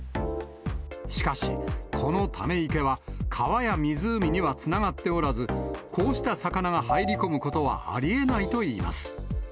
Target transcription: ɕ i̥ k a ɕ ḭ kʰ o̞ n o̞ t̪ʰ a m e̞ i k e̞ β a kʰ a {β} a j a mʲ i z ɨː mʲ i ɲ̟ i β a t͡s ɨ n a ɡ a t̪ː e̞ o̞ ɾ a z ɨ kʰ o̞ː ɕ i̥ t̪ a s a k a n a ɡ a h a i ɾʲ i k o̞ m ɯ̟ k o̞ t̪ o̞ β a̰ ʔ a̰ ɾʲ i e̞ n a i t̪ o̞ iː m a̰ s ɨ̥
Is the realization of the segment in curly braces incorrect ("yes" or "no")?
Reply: no